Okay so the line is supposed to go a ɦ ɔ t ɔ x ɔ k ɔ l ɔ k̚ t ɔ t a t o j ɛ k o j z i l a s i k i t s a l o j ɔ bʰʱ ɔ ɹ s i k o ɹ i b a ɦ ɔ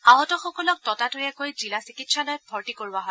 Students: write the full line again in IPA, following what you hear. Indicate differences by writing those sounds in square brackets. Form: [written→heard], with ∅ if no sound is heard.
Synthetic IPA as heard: a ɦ ɔ t ɔ x ɔ k ɔ l ɔ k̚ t ɔ t a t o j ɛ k o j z i l a s i k i t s a l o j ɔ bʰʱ ɔ ɹ [s→t] i k o ɹ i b a ɦ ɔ